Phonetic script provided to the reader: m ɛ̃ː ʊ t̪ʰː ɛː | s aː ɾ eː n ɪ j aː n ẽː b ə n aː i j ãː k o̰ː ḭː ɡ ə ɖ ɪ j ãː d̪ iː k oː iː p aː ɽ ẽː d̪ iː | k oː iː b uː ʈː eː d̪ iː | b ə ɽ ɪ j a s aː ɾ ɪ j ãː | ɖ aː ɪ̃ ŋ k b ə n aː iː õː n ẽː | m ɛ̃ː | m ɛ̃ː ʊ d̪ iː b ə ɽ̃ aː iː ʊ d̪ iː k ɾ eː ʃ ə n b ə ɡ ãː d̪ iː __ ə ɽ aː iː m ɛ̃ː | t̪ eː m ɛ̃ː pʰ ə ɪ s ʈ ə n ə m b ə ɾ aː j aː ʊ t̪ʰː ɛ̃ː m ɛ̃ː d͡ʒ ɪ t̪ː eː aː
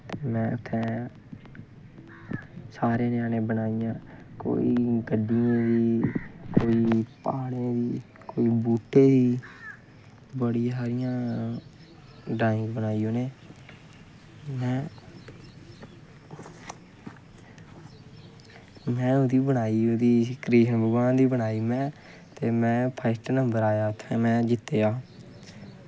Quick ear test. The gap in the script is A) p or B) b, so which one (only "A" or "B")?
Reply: B